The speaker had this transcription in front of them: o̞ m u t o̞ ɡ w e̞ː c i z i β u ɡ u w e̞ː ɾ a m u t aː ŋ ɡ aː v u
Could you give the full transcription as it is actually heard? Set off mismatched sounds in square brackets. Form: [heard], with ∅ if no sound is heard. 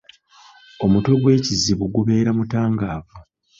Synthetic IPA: o̞ m u t o̞ ɡ w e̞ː c i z i β u ɡ u [β] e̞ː ɾ a m u t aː ŋ ɡ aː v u